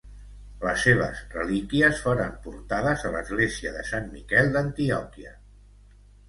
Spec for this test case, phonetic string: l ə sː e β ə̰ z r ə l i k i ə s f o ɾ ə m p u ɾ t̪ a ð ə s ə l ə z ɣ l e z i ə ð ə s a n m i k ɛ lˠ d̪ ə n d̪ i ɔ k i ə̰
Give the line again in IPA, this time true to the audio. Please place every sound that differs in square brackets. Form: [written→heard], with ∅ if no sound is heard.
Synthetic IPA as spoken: l ə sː e β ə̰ z r ə l i k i ə s f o ɾ ə m p u ɾ t̪ a ð ə [s→z] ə l ə z ɣ l e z i ə ð ə s a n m i k ɛ lˠ d̪ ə n [d̪→t̪] i ɔ k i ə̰